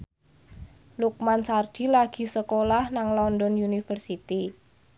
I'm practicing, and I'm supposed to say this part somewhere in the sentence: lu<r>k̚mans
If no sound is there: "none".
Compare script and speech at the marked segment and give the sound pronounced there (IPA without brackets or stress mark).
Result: none